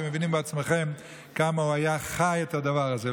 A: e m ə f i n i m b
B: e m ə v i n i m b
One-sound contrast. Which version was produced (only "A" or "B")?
B